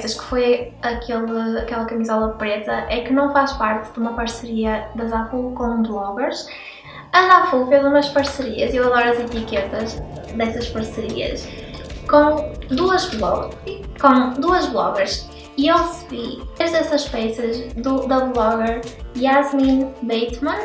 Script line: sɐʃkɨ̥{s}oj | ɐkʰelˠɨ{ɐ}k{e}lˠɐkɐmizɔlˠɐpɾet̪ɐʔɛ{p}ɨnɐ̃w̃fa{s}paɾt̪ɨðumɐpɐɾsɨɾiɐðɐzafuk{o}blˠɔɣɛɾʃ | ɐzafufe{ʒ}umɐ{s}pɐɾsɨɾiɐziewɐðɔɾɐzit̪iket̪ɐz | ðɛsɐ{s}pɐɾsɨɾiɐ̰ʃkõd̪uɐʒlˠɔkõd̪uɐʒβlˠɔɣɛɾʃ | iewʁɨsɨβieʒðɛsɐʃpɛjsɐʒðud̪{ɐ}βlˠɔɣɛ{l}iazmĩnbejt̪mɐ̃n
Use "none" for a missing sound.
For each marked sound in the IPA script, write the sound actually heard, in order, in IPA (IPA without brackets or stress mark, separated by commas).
f, ɐ, ɛ, k, ʃ, õ, z, ʃ, ʃ, ɐ, ɾ